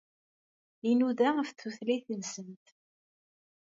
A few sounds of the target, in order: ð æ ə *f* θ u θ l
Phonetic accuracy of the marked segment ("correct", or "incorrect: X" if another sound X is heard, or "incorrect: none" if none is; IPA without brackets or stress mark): correct